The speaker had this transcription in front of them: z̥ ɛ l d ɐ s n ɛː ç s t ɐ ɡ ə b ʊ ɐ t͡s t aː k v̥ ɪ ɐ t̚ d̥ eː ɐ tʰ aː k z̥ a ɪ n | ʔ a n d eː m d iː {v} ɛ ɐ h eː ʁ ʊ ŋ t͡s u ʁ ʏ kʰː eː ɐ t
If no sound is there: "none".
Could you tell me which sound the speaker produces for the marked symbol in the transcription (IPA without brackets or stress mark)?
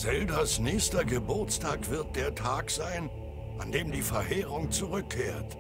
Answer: f